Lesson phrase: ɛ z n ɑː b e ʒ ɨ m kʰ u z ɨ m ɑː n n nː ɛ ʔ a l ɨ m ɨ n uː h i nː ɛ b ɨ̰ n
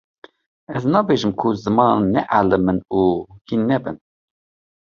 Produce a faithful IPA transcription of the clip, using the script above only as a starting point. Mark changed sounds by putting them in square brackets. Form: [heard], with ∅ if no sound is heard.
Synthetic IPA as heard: ɛ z n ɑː b e ʒ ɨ m kʰ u z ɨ m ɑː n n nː ɛ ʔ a l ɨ m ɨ n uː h i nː ɛ b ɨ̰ n